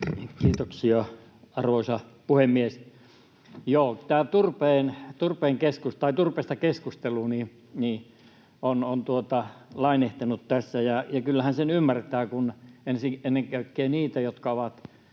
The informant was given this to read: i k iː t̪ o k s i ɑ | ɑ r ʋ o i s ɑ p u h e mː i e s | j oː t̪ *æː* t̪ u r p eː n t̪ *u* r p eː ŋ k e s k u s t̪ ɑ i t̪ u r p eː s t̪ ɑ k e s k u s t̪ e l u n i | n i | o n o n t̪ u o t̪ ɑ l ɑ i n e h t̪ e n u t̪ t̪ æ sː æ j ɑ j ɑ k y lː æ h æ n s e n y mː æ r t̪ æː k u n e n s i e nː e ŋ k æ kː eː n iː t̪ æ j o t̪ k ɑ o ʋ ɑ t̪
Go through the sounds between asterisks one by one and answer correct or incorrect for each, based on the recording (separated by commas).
correct, correct